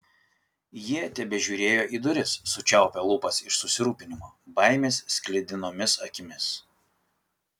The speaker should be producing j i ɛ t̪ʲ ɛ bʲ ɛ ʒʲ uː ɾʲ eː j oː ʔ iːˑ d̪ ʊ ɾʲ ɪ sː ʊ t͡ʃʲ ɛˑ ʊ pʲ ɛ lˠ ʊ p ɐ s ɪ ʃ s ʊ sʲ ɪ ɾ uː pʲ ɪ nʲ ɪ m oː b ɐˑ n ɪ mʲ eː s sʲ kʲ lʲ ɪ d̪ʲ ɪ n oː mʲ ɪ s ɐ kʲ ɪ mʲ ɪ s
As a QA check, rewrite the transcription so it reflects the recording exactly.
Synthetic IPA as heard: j i ɛ t̪ʲ ɛ bʲ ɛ ʒʲ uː ɾʲ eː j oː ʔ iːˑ d̪ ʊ ɾʲ ɪ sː ʊ t͡ʃʲ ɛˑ ʊ pʲ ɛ lˠ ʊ p ɐ s ɪ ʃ s ʊ sʲ ɪ ɾ uː pʲ ɪ nʲ ɪ m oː b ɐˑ ɪ mʲ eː s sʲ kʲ lʲ ɪ d̪ʲ ɪ n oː mʲ ɪ s ɐ kʲ ɪ mʲ ɪ s